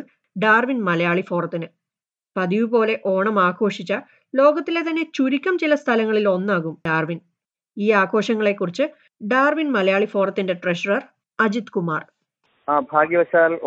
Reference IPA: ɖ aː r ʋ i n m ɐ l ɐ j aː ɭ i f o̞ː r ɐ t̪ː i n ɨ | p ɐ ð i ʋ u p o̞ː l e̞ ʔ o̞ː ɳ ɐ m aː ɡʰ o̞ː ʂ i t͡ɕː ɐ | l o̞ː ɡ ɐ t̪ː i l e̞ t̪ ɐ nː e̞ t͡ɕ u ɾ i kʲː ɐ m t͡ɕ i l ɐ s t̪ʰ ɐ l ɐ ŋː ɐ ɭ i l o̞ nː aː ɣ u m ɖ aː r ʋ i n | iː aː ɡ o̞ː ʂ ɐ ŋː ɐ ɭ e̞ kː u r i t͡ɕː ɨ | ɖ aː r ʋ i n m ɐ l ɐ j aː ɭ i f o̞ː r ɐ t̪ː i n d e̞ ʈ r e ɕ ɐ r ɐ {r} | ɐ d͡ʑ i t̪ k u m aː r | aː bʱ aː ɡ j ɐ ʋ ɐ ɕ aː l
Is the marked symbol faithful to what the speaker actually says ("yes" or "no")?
yes